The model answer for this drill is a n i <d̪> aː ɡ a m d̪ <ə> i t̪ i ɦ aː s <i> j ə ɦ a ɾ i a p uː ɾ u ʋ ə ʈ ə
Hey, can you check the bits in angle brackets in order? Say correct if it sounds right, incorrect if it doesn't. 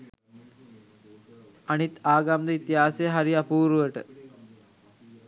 incorrect, correct, incorrect

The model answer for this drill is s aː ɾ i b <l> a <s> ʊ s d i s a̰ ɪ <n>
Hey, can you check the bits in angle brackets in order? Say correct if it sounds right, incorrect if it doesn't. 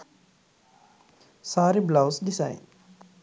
correct, incorrect, correct

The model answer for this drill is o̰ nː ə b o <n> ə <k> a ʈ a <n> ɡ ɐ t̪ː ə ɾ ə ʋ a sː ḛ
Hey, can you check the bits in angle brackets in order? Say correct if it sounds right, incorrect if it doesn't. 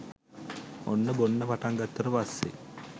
incorrect, incorrect, incorrect

